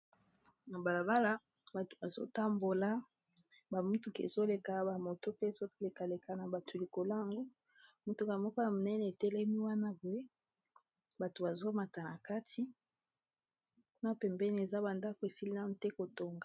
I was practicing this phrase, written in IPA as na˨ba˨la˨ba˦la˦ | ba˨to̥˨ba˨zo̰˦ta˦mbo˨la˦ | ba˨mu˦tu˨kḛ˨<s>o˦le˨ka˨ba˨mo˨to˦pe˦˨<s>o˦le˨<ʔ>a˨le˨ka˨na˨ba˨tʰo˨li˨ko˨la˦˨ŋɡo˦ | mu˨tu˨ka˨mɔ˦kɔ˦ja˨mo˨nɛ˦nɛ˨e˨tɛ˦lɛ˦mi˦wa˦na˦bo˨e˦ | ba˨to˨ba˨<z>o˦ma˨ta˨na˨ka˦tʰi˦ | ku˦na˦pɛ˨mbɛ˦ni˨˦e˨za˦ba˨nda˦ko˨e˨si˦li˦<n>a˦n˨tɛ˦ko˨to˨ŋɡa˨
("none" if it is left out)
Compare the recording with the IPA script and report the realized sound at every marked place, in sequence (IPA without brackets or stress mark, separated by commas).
z, z, k, z, n